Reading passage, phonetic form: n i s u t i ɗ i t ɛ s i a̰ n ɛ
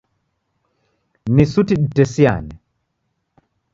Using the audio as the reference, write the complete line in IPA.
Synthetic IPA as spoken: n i s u t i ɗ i t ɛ s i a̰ n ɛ